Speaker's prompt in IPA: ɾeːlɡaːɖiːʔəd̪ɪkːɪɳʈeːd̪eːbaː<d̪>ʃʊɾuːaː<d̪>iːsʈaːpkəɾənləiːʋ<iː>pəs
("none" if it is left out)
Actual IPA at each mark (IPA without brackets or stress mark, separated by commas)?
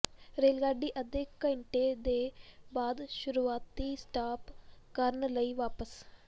d̪, t̪, aː